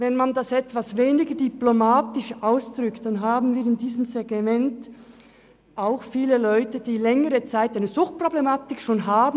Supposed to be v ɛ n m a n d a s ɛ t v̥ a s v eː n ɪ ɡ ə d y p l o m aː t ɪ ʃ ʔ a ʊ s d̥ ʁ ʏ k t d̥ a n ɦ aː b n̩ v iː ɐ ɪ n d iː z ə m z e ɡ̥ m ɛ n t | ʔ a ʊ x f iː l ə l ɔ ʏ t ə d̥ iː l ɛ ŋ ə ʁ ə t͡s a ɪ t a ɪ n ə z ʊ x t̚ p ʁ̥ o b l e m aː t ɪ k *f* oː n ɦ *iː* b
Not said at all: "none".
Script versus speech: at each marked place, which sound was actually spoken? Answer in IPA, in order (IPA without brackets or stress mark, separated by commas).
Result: ʃ, aː